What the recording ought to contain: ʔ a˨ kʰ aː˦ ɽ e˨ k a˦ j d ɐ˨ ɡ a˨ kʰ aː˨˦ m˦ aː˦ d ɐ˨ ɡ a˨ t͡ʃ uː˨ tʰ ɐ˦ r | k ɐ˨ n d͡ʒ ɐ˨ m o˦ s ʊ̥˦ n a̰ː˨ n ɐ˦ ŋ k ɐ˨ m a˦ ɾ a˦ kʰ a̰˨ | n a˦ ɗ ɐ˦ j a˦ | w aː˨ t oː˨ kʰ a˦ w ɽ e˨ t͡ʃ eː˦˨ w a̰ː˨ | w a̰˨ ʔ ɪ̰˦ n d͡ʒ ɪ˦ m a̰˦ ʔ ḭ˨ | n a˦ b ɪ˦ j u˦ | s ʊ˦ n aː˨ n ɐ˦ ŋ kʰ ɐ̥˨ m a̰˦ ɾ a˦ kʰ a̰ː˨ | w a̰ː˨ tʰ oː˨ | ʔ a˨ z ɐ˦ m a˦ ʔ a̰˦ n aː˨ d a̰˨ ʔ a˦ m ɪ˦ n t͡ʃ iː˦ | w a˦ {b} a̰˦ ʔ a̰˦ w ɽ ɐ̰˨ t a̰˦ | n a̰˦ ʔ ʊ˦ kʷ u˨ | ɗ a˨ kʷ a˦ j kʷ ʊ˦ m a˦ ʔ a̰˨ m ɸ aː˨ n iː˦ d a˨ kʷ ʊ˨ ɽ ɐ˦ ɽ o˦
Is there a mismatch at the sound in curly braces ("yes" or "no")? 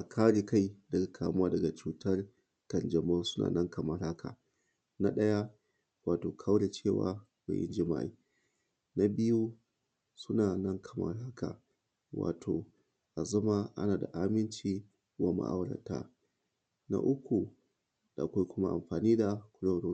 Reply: yes